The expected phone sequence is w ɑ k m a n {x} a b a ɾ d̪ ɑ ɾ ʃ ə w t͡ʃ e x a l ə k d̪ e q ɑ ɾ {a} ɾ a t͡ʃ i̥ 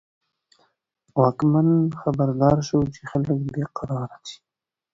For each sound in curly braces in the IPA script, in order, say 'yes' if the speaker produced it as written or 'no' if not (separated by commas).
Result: yes, no